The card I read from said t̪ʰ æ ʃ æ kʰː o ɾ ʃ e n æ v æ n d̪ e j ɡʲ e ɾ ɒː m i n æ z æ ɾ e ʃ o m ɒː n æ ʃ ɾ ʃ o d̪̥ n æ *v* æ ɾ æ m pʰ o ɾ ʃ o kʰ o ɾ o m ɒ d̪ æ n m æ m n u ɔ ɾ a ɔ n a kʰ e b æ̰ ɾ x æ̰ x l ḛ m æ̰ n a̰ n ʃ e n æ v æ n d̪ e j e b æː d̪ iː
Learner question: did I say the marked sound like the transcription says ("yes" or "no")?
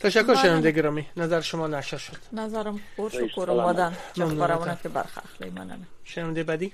no